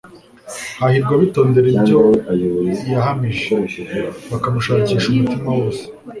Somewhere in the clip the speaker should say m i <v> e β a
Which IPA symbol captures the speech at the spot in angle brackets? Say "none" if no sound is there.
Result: ʒ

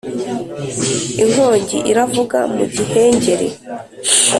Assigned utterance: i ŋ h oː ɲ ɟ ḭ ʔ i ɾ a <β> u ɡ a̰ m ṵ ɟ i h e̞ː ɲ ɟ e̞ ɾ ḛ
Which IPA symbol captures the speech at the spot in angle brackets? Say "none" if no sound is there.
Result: v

